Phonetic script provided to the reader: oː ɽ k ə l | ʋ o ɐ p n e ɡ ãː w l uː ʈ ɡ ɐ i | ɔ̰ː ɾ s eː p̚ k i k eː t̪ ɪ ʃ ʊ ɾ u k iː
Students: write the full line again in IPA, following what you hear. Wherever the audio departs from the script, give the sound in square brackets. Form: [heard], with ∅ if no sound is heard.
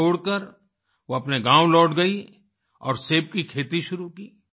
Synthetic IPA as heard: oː ɽ k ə [ɾ] | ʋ o ɐ p n e ɡ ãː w l [ɔː] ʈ ɡ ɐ i | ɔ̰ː ɾ s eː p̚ k i [kʰ] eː t̪ [i] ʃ ʊ ɾ u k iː